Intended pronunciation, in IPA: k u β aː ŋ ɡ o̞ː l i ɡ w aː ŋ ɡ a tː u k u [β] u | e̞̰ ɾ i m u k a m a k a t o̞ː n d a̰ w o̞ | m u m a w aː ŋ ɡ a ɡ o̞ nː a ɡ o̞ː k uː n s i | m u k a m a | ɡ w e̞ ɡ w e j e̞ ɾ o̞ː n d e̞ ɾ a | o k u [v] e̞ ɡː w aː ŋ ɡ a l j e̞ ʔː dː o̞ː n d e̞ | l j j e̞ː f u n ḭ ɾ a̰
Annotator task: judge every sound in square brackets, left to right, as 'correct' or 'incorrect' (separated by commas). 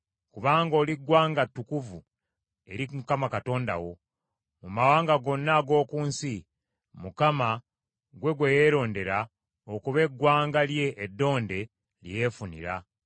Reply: incorrect, incorrect